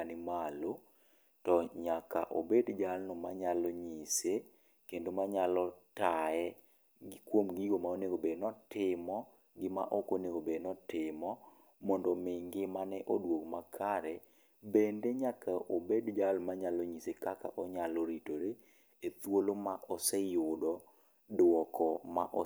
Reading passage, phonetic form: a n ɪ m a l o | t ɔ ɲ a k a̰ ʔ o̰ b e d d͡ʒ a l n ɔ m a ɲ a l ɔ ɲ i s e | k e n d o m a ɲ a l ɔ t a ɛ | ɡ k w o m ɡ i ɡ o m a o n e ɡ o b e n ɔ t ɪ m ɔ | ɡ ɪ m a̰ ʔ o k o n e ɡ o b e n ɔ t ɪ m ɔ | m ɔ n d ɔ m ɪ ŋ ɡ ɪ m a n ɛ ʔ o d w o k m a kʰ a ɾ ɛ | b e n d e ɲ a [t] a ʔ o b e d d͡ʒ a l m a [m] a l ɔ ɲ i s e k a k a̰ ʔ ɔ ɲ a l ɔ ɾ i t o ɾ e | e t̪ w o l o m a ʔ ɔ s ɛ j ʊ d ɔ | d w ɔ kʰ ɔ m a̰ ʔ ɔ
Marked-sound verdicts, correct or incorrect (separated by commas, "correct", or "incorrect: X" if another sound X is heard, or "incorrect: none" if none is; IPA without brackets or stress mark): incorrect: k, incorrect: ɲ